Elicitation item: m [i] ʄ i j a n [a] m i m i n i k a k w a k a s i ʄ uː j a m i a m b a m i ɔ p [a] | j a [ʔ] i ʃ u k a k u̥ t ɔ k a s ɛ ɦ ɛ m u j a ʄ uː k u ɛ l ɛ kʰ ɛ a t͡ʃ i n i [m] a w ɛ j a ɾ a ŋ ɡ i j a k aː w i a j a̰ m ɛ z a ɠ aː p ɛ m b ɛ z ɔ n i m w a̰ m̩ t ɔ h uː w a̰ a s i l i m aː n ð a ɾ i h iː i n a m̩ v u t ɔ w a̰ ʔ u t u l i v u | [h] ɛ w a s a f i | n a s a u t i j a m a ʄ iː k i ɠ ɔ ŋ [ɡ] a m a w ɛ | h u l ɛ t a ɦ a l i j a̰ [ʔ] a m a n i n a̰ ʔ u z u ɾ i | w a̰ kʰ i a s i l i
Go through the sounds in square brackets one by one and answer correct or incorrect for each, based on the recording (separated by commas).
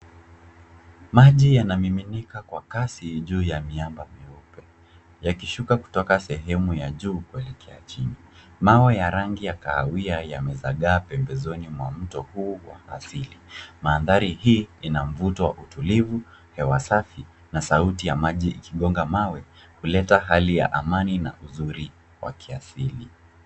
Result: incorrect, correct, incorrect, incorrect, correct, correct, correct, correct